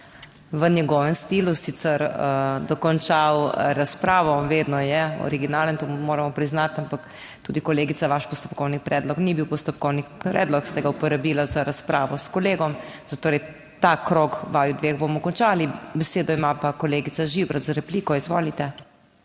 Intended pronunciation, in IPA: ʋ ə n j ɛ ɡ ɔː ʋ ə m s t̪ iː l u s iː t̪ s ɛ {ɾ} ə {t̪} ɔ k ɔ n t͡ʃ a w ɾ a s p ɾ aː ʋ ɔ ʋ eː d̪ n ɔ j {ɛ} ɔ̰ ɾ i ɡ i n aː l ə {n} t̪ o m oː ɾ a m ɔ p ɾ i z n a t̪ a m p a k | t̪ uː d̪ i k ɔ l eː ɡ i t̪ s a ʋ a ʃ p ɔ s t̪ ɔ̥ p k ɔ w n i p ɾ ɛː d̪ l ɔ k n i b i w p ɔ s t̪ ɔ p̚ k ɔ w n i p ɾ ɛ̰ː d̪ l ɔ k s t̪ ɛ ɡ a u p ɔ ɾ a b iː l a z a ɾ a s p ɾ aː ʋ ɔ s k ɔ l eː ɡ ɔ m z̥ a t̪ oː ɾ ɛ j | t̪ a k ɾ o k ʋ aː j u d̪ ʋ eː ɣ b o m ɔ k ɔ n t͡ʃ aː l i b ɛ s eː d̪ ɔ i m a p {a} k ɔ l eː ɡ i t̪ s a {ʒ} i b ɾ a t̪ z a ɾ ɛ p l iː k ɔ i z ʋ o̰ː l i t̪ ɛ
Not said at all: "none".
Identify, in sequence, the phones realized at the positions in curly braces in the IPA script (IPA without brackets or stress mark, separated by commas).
ɾ, d̪, ɛ, n, a, ʒ